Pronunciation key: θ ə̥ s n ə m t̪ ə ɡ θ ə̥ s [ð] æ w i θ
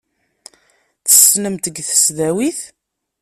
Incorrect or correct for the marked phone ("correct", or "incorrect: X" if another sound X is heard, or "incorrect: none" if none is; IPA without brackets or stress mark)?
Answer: correct